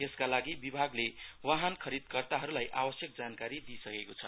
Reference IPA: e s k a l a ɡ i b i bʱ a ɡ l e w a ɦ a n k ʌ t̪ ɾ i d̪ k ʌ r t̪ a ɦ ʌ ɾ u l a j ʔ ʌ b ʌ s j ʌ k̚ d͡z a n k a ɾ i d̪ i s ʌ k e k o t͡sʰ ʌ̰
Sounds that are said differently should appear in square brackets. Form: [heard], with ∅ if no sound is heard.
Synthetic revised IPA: e s k a l a ɡ i b i bʱ a ɡ l e w a ɦ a n [kʰ] ʌ [∅] ɾ i d̪ k ʌ r t̪ a ɦ ʌ ɾ u l a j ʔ [a] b ʌ s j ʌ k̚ d͡z a n k a ɾ i d̪ i s ʌ k e k o t͡sʰ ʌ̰